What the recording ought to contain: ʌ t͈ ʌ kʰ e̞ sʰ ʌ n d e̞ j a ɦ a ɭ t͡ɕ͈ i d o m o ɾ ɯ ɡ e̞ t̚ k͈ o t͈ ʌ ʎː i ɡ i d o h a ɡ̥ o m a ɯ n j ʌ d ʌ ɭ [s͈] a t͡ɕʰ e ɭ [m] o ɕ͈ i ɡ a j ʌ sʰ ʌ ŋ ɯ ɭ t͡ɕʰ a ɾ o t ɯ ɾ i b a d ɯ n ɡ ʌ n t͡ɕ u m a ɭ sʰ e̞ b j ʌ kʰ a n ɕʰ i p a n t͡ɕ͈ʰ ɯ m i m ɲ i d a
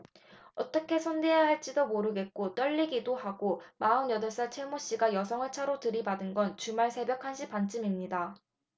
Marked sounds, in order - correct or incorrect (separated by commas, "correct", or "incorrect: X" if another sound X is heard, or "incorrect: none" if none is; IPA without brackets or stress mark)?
correct, correct